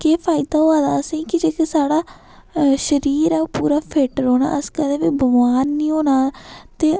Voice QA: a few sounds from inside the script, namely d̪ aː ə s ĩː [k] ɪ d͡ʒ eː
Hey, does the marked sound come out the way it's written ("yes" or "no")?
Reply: yes